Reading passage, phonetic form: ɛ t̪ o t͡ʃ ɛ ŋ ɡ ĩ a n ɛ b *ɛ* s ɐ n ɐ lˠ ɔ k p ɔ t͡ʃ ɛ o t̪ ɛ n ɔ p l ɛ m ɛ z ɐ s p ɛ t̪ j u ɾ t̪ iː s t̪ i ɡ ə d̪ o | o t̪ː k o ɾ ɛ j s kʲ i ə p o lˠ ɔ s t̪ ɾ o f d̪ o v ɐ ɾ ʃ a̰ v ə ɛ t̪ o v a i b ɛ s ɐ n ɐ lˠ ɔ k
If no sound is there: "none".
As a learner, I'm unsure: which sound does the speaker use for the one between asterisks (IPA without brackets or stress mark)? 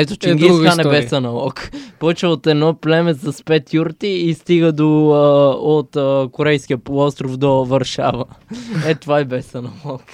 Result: ɛ